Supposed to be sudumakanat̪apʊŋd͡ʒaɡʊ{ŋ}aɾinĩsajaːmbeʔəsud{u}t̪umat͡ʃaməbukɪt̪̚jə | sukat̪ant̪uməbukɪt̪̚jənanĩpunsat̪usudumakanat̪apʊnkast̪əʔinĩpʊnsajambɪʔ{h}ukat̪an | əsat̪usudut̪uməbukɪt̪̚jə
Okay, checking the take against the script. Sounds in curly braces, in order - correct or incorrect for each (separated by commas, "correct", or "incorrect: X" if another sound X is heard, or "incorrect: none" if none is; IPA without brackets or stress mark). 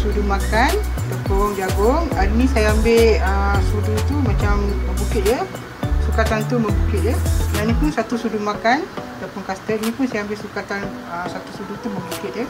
correct, correct, incorrect: s